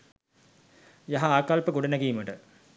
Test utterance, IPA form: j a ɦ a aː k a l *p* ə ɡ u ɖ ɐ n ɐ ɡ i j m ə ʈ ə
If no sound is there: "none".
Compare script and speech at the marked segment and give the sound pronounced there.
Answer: p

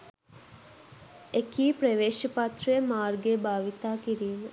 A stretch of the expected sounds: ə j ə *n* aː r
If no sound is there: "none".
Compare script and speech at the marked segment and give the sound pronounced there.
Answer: m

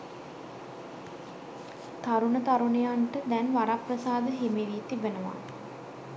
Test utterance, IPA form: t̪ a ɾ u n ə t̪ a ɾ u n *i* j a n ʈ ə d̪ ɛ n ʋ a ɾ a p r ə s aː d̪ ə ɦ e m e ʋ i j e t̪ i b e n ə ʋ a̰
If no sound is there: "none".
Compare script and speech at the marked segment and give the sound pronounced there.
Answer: e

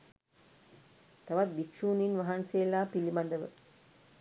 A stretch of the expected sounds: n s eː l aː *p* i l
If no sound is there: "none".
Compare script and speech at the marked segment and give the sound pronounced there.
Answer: p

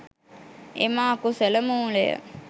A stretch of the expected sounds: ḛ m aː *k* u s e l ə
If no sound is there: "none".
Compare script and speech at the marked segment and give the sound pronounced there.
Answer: k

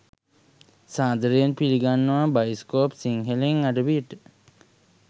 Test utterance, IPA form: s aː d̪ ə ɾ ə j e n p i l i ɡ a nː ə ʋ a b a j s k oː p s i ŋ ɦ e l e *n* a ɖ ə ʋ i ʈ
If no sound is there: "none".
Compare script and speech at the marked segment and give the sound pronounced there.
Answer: ŋ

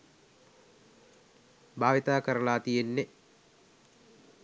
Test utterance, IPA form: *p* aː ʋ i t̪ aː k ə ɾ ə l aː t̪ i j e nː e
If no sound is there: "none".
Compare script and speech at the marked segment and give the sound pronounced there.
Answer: b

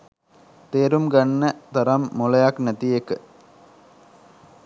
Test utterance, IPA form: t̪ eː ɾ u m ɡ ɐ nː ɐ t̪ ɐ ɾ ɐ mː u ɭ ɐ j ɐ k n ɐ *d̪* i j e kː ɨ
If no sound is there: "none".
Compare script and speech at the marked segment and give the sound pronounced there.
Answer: t̪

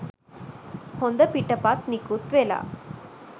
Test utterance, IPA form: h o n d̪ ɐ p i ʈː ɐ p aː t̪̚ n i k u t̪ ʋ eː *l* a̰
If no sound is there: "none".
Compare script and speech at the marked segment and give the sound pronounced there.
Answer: l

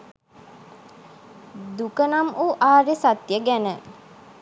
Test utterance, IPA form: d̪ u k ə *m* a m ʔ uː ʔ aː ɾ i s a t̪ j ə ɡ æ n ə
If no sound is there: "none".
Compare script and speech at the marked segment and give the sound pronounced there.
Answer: n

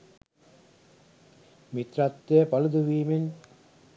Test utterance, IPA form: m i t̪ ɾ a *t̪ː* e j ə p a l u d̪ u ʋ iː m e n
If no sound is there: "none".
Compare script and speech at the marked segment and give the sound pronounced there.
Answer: t̪ː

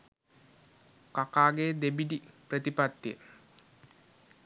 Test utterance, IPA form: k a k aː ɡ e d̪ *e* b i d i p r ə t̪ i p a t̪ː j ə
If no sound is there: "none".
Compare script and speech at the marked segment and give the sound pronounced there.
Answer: e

